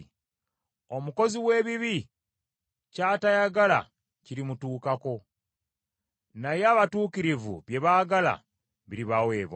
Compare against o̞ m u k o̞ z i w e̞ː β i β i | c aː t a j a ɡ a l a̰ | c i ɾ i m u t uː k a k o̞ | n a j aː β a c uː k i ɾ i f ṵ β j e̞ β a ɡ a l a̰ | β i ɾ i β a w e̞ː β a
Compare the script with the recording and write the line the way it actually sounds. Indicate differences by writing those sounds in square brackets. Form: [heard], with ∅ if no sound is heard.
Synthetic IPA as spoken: o̞ m u k o̞ z i w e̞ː β i β i | c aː t a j a ɡ a l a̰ | c i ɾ i m u t uː k a k o̞ | n a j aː β a [t] uː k i ɾ i [v] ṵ β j e̞ β a ɡ a l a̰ | β i ɾ i β a w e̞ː β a